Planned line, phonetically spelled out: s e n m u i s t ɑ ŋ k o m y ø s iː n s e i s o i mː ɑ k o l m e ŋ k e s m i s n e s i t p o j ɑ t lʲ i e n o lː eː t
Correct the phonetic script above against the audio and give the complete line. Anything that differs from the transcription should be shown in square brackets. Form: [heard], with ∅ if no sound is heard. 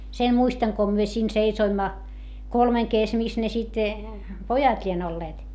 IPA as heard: s e n m u i s t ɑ ŋ k o m y ø s iː n s e i s o i mː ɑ k o l m e ŋ k e s m i s n e s i t p o j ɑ t lʲ i e n o lː eː t